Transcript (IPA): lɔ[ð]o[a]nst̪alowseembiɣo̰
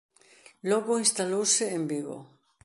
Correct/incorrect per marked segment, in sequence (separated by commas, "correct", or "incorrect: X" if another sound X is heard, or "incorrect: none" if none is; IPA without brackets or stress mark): incorrect: ɣ, incorrect: i